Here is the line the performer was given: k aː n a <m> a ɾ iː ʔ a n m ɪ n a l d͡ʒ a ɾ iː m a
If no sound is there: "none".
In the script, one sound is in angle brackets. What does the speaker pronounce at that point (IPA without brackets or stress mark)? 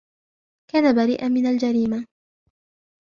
b